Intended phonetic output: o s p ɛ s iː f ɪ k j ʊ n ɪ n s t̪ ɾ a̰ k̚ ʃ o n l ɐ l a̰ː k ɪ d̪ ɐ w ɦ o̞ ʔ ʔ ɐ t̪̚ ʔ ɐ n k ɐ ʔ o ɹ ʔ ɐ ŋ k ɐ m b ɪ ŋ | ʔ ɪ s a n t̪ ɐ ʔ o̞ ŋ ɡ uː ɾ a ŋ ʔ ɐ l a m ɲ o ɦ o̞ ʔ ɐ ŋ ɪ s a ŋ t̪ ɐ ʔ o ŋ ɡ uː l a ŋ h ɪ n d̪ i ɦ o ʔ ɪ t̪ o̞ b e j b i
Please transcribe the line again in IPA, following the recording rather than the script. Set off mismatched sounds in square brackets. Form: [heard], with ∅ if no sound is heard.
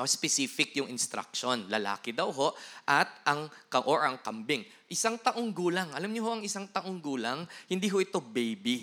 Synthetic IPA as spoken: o s p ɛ s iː f ɪ k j ʊ [ŋ] ɪ n s t̪ ɾ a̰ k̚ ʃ o n l ɐ l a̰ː k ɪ d̪ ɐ w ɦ o̞ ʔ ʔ ɐ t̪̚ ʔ ɐ [ŋ] k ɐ ʔ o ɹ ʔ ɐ ŋ k ɐ m b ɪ ŋ | ʔ ɪ s a [ŋ] t̪ ɐ ʔ o̞ ŋ ɡ uː [l] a ŋ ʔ ɐ l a m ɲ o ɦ o̞ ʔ ɐ ŋ ɪ s a ŋ t̪ ɐ ʔ o ŋ ɡ uː l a ŋ h ɪ n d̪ i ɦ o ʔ ɪ t̪ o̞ b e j b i